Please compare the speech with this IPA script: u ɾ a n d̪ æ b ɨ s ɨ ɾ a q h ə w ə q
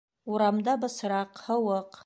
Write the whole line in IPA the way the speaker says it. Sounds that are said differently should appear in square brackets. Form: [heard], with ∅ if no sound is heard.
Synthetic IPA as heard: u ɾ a [m] d̪ [a] b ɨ s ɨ ɾ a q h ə w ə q